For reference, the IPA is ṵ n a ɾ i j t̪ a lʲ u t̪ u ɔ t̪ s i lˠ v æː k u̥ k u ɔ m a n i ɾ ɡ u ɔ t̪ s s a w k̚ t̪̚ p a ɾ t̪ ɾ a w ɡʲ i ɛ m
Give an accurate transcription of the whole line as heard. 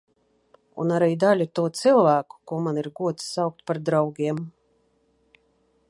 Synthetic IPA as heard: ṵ n a ɾ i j d̪ a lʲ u t̪ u ɔ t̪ s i lˠ v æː k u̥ k u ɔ m a n i ɾ ɡ u ɔ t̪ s s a w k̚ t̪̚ p a ɾ d̪ ɾ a w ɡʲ i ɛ m